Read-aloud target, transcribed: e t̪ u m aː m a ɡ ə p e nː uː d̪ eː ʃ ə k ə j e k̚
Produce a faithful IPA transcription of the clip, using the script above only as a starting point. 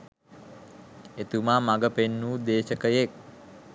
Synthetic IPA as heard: e t̪ u m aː m a ɡ ə p e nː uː d̪ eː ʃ ə k ə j e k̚